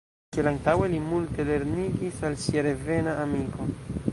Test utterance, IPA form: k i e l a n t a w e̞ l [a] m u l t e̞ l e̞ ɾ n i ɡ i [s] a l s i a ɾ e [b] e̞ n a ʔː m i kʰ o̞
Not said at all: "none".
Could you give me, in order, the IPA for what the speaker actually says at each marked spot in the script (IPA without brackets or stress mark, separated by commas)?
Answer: i, s, v